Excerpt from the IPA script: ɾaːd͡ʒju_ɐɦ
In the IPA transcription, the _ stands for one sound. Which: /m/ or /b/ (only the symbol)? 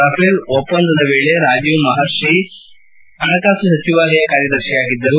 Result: m